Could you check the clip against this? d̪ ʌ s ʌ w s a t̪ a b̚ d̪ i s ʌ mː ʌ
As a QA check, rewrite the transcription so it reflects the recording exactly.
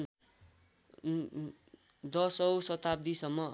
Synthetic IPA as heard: d̪ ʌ s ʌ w s ʌ t̪ a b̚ d̪ i s ʌ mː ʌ